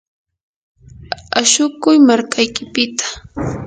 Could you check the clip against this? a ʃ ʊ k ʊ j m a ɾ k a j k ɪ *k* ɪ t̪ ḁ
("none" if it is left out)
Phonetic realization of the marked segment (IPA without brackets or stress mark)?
p